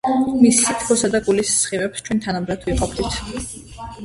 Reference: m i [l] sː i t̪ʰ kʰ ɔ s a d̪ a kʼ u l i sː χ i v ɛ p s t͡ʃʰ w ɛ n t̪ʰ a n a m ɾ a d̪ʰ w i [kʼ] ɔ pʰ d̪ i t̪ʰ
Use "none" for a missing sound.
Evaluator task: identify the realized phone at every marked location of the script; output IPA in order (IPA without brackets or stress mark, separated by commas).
none, qʼ